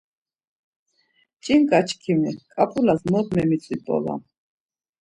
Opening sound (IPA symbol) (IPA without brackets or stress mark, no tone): t͡ʃʼ